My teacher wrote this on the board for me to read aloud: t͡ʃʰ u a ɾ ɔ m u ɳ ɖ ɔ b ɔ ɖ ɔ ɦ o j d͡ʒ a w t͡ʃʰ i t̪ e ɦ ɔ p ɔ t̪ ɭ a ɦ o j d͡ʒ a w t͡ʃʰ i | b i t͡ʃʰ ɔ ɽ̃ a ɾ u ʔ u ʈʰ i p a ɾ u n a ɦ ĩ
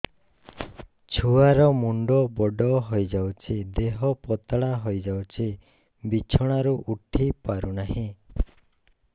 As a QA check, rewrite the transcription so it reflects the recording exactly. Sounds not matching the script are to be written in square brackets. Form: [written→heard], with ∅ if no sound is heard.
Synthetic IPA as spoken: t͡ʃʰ u a ɾ ɔ m u ɳ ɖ ɔ b ɔ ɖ ɔ ɦ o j d͡ʒ a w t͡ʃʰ i [t̪→d̪] e ɦ ɔ p ɔ t̪ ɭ a ɦ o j d͡ʒ a w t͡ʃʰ i | b i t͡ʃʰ ɔ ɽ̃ a ɾ u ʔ u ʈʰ i p a ɾ u n a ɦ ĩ